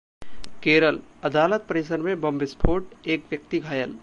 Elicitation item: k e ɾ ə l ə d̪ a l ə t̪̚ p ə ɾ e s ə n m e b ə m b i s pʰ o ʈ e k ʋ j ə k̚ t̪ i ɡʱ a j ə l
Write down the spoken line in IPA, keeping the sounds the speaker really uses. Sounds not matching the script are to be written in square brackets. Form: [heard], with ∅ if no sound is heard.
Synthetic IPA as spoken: k e ɾ ə l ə d̪ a l ə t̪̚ p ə ɾ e s ə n m e b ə m b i s pʰ o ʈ e k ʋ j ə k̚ t̪ i ɡʱ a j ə l